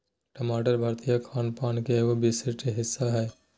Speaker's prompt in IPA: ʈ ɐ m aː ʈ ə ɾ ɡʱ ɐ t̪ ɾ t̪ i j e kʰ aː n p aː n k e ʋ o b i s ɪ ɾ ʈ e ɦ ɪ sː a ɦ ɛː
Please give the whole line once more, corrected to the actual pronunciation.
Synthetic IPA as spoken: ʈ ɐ m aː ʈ ə ɾ bʱ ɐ ɾ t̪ i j a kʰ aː n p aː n k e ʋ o b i s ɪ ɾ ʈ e ɦ ɪ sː a ɦ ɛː